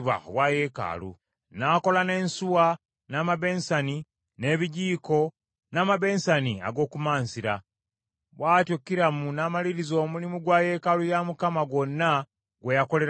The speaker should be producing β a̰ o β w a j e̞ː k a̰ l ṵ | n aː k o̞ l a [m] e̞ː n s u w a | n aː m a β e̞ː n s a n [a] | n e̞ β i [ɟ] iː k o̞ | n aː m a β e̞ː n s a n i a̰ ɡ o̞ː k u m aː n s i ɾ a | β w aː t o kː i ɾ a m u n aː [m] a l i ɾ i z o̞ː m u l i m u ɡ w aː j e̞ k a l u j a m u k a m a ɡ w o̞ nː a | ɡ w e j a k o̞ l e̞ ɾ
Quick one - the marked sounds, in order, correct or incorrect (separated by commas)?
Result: incorrect, incorrect, correct, correct